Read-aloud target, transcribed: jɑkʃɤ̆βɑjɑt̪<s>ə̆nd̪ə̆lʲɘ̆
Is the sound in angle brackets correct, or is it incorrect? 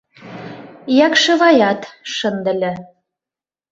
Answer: incorrect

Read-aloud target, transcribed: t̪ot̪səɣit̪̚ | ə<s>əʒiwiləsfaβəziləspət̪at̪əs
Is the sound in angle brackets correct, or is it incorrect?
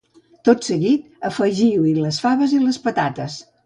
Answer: incorrect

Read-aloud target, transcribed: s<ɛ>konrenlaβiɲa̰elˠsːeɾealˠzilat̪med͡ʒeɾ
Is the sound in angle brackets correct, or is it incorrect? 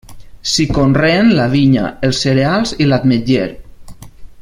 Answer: incorrect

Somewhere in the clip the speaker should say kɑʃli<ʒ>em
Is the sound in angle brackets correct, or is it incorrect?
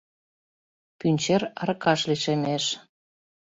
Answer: incorrect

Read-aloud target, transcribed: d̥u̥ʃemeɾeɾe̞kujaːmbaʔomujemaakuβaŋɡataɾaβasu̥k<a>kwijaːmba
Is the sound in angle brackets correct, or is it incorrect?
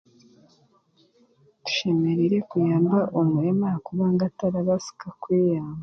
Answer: correct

